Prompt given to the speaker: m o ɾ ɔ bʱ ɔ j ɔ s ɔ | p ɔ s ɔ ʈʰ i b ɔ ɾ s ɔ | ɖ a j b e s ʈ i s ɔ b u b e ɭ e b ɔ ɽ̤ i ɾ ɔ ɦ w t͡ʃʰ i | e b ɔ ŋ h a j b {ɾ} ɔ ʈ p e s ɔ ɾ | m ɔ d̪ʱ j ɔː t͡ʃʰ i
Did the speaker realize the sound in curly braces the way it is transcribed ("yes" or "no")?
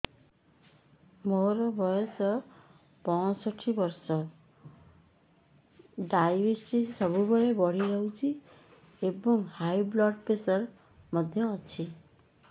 no